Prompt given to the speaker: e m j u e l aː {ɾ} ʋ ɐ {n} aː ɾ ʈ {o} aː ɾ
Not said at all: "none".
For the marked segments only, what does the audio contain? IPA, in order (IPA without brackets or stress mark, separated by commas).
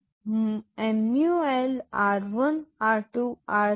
ɾ, n, u